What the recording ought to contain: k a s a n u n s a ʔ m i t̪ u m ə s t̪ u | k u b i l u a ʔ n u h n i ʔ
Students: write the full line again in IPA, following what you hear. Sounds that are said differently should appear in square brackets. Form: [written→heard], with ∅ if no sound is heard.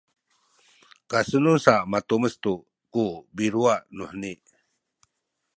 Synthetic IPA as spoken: k a s [a→ə] n u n s a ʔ m [i→a] t̪ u m ə s t̪ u | k u b i [l→ɾ] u a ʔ n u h n i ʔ

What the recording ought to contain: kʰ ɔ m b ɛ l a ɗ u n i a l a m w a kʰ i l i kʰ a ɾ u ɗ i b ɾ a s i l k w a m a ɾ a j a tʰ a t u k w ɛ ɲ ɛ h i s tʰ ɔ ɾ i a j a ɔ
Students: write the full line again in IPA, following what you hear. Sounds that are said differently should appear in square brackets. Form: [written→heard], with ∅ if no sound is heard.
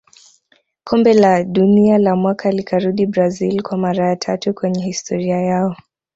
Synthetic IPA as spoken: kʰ ɔ m b ɛ l a ɗ u n i a l a m w a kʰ [i→a] l i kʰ a ɾ u ɗ i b ɾ a [s→z] i l k w a m a ɾ a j a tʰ a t u k w ɛ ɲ ɛ h i s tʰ ɔ ɾ i a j a ɔ

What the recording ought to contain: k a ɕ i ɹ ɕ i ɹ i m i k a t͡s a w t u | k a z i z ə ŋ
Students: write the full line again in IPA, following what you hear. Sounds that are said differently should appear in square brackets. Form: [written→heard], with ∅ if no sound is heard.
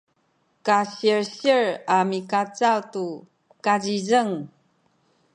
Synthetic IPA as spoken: k a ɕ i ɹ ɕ i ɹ [i→a] m i k a t͡s a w t u | k a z i z ə ŋ

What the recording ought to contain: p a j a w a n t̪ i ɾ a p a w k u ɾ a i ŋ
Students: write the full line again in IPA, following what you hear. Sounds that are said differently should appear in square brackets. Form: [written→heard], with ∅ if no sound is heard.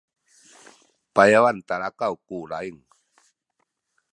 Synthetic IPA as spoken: p a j a w a n t̪ [i→a] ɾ a [p→k] a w k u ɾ a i ŋ

